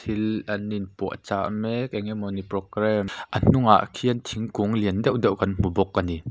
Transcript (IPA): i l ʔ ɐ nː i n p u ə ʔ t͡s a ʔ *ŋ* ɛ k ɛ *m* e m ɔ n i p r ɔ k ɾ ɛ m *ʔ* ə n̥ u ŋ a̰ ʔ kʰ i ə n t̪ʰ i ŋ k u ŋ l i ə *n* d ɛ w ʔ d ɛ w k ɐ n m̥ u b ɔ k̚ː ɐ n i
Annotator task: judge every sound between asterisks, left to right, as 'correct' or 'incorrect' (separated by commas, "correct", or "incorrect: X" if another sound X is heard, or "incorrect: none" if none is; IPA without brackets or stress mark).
incorrect: m, incorrect: ŋ, correct, correct